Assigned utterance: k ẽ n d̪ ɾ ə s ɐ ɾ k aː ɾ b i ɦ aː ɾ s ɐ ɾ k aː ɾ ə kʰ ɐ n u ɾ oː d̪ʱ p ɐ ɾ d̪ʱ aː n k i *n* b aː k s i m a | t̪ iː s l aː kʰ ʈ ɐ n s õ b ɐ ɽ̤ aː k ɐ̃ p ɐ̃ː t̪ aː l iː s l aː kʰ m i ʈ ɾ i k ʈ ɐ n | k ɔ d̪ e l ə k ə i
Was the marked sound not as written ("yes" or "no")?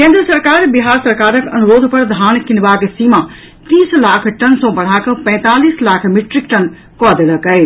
no